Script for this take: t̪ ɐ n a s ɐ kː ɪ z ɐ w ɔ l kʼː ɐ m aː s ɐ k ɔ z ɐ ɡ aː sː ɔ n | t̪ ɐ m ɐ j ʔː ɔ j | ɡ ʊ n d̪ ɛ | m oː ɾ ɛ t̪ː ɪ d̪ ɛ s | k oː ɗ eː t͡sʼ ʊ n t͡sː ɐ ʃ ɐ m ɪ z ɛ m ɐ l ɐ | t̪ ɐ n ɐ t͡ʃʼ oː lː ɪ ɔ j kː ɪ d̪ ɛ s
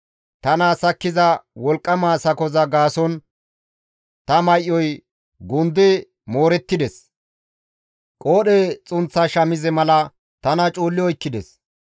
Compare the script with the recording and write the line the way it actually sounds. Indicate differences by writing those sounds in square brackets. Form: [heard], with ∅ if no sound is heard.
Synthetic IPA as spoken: t̪ ɐ n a s ɐ kː ɪ z ɐ w ɔ l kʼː ɐ m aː s ɐ k ɔ z ɐ ɡ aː [s] ɔ n | t̪ ɐ m ɐ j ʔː ɔ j | ɡ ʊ n d̪ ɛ | m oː ɾ ɛ t̪ː ɪ d̪ ɛ s | [kʼ] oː ɗ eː t͡sʼ ʊ n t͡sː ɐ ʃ ɐ m ɪ z ɛ m ɐ l ɐ | t̪ ɐ n ɐ t͡ʃʼ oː lː ɪ ɔ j kː ɪ d̪ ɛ s